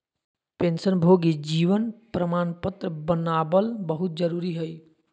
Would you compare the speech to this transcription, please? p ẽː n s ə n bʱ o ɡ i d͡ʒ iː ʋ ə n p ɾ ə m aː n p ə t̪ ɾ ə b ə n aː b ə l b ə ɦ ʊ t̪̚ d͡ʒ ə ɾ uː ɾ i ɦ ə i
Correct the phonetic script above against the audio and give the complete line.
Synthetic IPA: p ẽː n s ə n bʱ o ɡ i d͡ʒ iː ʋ ə n p ɾ ə m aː n p ə t̪ ɾ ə b ə n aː b ə l b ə ɦ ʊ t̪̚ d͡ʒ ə ɾ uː ɾ i ɦ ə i